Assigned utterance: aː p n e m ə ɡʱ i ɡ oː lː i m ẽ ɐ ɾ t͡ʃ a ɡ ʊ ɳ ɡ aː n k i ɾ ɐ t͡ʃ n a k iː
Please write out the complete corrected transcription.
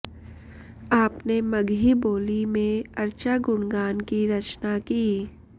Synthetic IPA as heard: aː p n e m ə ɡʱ i b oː l i m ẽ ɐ ɾ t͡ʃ a ɡ ʊ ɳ ɡ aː n k i ɾ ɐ t͡ʃ n a k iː